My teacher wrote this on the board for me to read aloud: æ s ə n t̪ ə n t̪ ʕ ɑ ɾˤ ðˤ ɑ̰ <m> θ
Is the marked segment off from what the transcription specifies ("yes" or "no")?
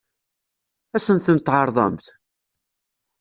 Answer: no